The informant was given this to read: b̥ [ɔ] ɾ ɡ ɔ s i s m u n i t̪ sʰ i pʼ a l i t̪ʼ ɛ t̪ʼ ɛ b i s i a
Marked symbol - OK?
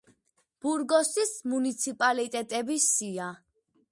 no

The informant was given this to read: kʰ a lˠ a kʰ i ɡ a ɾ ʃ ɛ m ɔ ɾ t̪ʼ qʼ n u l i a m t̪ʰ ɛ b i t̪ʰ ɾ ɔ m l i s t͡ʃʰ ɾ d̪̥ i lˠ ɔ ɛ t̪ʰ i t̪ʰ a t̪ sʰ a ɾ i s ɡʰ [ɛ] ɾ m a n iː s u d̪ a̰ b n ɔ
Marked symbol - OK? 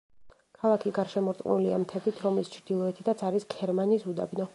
yes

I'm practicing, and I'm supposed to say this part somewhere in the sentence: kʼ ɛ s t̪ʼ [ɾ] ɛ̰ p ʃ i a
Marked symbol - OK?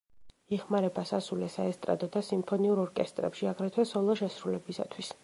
yes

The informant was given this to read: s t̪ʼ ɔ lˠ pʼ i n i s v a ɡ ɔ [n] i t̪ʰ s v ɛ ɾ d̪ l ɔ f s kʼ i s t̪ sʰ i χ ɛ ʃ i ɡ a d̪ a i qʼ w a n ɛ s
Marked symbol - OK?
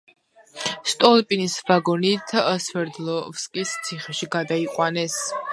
yes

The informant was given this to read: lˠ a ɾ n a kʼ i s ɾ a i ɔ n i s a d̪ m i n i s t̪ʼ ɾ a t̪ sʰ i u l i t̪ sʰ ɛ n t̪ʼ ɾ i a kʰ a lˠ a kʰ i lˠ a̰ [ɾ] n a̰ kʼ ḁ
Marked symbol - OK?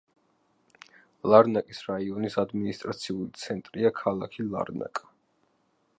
yes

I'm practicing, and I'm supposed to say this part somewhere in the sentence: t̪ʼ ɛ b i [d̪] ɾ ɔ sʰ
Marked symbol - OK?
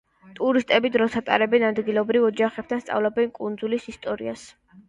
yes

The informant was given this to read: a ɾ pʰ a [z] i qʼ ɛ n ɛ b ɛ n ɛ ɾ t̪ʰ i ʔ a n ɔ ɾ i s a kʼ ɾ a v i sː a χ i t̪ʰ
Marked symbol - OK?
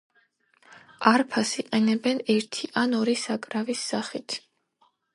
no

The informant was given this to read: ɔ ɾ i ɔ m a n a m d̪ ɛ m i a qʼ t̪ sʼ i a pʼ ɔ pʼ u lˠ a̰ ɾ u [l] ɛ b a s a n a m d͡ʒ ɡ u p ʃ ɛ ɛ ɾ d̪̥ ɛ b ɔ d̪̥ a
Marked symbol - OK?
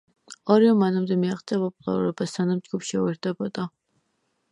no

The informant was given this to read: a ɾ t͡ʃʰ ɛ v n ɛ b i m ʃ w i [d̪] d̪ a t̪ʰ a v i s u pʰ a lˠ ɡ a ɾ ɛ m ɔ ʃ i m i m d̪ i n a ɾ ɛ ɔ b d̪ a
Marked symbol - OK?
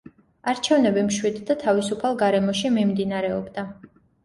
yes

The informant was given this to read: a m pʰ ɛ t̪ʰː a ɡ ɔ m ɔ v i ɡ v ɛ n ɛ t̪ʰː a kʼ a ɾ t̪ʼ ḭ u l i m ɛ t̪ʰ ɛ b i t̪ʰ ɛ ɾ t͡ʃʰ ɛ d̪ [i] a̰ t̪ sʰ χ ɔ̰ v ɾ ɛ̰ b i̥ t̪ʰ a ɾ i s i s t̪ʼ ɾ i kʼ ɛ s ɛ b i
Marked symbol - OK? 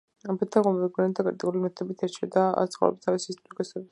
no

